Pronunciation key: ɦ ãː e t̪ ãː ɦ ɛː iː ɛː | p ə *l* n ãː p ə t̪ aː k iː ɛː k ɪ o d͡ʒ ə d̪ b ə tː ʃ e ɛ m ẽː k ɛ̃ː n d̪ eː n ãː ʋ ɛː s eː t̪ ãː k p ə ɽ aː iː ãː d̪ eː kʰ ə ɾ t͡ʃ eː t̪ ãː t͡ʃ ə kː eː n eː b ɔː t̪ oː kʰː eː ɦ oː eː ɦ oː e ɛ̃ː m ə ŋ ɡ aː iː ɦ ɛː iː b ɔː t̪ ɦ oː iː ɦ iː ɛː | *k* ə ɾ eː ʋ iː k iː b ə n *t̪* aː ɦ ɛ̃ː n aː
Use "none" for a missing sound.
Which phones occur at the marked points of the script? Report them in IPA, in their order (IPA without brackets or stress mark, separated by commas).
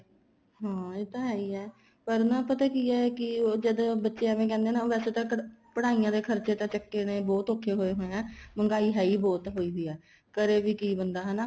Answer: ɾ, k, d̪